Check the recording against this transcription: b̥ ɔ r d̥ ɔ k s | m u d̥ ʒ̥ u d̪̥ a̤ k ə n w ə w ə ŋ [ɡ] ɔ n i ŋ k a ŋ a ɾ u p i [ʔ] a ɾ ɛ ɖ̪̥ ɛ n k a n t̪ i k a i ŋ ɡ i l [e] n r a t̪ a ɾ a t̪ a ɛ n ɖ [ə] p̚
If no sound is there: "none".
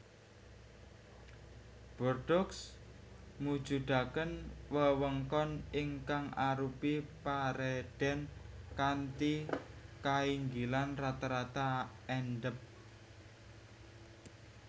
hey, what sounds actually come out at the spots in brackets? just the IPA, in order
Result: k, p, a, ə

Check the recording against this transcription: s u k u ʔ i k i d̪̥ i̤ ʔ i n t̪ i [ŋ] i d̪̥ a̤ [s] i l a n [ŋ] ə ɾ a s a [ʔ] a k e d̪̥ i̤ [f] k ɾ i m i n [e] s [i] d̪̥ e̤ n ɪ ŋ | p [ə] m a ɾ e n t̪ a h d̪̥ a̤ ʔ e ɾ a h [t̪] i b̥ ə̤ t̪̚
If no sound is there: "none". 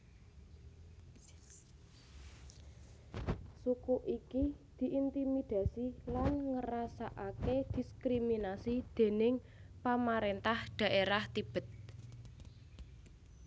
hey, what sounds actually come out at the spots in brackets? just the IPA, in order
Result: m, s, ŋ, ʔ, s, a, i, a, t̪

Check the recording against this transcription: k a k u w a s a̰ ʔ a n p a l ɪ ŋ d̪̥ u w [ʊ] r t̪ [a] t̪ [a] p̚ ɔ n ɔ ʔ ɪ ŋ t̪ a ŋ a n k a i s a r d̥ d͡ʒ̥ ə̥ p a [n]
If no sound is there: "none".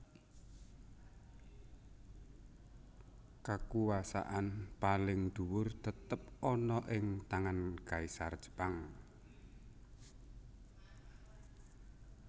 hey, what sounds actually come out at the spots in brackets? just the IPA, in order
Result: ʊ, ə, ə, ŋ

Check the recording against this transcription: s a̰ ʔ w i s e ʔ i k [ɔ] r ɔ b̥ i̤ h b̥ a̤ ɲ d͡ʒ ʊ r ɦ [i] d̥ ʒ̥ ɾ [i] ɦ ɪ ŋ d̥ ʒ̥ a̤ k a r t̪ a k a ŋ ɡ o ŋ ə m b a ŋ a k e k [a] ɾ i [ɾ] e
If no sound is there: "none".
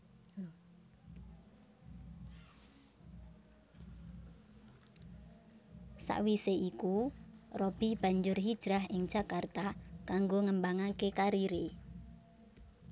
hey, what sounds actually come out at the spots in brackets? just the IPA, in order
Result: u, i, a, a, ɾ

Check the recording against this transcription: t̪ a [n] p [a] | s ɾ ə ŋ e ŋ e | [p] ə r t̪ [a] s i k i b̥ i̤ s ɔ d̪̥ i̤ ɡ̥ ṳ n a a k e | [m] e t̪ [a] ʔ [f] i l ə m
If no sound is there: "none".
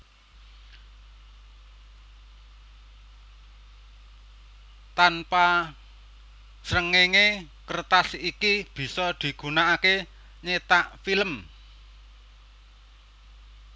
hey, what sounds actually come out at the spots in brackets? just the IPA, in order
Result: n, a, k, a, ɲ, a, f

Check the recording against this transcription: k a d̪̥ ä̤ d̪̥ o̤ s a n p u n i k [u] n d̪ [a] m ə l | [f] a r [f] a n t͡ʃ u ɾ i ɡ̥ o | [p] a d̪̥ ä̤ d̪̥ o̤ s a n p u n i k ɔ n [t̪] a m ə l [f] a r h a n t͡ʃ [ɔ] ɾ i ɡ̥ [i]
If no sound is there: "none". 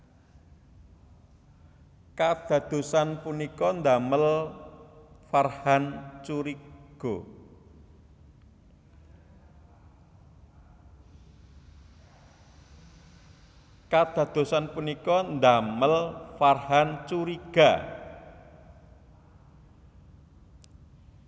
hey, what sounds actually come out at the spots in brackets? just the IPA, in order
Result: ɔ, a, f, h, k, d̪, f, u, a

